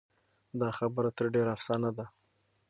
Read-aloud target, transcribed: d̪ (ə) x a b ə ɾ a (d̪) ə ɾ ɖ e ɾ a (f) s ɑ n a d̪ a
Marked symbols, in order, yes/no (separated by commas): no, no, yes